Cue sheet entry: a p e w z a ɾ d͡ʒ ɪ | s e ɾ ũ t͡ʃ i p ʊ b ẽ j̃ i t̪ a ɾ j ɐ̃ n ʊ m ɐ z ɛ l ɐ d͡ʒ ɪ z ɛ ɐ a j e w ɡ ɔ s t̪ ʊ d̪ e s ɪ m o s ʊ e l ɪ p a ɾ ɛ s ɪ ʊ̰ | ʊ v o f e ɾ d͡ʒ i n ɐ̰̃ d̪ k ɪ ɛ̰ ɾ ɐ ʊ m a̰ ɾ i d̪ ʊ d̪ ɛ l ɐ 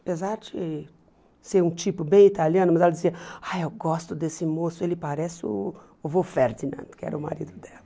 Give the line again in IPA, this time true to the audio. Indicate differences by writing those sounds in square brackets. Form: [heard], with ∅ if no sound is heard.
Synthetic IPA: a p e [∅] z a ɾ d͡ʒ ɪ | s e ɾ ũ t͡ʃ i p ʊ b ẽ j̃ i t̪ a [l] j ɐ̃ n ʊ m ɐ z ɛ l ɐ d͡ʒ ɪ z [i] ɐ a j e w ɡ ɔ s t̪ ʊ d̪ e s ɪ m o s ʊ e l ɪ p a ɾ ɛ s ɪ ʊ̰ | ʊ v o f e ɾ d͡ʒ i n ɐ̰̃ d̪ k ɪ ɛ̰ ɾ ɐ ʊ m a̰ ɾ i d̪ ʊ d̪ ɛ l ɐ